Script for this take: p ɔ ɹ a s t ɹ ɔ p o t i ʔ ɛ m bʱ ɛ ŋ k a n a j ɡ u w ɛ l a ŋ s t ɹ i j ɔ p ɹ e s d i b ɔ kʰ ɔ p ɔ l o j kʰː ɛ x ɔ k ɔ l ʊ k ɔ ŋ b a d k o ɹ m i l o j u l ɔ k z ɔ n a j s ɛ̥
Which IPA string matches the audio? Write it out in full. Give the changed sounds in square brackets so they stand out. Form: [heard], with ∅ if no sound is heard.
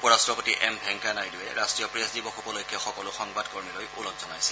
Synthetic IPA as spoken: p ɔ ɹ a s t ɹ ɔ p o t i ʔ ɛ m bʱ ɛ ŋ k a n a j [d] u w ɛ [ɹ] a [∅] s t ɹ i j ɔ p ɹ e s d i b ɔ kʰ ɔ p ɔ l o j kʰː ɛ x ɔ k ɔ l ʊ [x] ɔ ŋ b a d k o ɹ m i l o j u l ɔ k z ɔ n a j s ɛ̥